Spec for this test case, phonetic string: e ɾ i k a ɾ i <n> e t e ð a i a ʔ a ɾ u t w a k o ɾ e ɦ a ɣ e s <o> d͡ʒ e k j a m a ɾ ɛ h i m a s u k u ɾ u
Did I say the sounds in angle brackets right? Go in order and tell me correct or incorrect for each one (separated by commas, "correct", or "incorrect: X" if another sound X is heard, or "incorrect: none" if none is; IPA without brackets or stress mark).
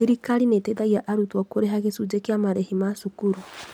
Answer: correct, incorrect: u